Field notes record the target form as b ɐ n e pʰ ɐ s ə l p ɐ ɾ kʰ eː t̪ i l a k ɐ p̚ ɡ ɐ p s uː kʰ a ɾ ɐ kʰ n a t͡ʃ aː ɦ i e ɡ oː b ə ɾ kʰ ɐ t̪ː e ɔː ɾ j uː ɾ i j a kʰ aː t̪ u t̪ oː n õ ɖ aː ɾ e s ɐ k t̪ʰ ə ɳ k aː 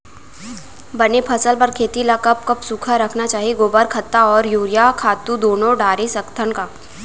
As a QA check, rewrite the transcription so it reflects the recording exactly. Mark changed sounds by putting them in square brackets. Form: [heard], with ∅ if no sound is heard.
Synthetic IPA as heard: b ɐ n e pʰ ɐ s ə l p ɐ ɾ kʰ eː t̪ i l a k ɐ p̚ [k] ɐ p s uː kʰ a ɾ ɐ kʰ n a t͡ʃ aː ɦ i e ɡ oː b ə ɾ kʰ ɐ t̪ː [a] ɔː ɾ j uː ɾ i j a kʰ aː t̪ u [d̪] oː n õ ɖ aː ɾ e s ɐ k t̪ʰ ə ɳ k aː